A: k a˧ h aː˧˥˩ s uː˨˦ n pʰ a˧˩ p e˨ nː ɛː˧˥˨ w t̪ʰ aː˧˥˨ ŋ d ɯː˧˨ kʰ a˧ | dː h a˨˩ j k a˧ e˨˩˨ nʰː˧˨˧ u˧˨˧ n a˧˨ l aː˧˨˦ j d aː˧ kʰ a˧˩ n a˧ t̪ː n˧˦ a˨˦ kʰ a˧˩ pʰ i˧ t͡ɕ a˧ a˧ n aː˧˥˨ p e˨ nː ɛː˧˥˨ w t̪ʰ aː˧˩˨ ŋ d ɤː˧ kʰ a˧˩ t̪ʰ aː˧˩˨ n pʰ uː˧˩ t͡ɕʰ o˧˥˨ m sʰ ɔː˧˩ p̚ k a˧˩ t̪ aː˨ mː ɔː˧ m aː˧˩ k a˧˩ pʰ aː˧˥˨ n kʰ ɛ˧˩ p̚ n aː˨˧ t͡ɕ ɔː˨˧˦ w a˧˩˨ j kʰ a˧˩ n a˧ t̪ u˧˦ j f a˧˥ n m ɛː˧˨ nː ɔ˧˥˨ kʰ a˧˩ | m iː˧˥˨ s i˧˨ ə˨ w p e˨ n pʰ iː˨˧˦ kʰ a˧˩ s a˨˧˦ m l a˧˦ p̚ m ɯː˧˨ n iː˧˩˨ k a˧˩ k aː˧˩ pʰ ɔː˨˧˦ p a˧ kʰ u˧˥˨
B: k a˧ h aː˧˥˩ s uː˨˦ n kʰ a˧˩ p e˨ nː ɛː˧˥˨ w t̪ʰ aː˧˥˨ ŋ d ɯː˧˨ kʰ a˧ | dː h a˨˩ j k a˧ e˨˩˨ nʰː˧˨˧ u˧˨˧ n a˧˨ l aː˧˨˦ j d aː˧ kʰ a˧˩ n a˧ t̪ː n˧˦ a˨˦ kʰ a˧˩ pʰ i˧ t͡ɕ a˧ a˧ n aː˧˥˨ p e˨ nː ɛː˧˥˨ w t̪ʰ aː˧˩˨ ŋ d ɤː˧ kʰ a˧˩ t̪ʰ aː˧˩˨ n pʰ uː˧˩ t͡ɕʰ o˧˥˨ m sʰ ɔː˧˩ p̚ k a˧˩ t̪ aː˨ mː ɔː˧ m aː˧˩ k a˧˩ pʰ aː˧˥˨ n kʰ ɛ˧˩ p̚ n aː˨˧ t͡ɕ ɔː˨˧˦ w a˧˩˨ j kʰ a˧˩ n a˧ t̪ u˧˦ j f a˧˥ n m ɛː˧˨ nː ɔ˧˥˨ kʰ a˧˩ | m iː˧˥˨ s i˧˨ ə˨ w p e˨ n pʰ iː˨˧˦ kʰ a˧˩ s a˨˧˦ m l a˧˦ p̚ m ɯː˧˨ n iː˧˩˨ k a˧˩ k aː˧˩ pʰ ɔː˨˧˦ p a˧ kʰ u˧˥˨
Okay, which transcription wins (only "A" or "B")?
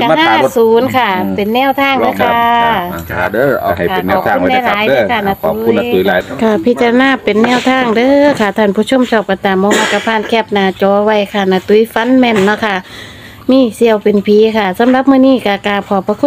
B